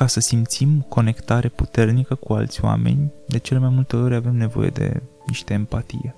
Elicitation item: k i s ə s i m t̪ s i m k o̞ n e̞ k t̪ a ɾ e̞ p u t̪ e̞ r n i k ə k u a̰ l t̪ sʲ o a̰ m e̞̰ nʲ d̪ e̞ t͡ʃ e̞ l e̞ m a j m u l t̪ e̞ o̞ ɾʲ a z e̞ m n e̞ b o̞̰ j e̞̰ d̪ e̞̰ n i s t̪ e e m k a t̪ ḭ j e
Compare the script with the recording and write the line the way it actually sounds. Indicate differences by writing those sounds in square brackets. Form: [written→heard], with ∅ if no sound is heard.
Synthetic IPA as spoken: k [i→a] s ə s i m t̪ s i m k o̞ n e̞ k t̪ a ɾ e̞ p u t̪ e̞ r n i k ə k u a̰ l t̪ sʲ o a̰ m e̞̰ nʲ d̪ e̞ t͡ʃ e̞ l e̞ m a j m u l t̪ e̞ o̞ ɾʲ a [z→v] e̞ m n e̞ [b→v] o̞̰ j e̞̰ d̪ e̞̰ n i [s→ʃ] t̪ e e m [k→p] a t̪ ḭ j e